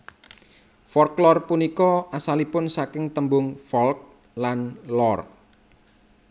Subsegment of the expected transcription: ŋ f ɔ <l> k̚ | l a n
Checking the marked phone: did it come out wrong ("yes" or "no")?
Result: no